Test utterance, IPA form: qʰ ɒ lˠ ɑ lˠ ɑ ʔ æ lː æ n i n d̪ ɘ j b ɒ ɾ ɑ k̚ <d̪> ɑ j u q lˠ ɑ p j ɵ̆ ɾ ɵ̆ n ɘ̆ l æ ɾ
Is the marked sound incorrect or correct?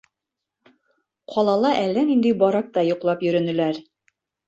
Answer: incorrect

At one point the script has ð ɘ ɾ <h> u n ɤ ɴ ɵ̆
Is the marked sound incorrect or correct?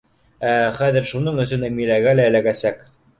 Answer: incorrect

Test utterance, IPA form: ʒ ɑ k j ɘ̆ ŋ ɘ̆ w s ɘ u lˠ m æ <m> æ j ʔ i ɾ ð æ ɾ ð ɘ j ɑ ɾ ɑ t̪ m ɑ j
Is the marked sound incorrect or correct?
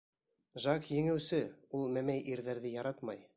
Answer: correct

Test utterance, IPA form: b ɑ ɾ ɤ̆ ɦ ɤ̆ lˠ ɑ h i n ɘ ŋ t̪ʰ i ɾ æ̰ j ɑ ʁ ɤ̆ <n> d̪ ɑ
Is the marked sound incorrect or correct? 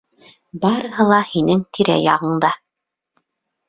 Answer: incorrect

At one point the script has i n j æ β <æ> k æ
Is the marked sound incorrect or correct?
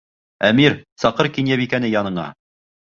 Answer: incorrect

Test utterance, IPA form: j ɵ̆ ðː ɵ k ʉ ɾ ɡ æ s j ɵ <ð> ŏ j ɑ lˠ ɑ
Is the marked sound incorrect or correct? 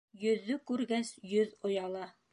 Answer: correct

